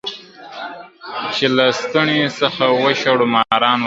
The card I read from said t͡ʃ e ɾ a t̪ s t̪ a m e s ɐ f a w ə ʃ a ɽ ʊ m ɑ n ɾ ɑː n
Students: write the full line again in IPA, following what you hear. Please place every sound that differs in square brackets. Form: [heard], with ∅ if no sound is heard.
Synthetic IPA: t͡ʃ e [l] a [∅] s t̪ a [ɳ] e s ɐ [x] a w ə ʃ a ɽ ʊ m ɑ [∅] ɾ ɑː n